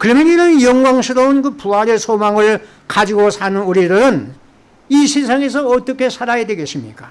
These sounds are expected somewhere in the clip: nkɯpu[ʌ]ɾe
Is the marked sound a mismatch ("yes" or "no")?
yes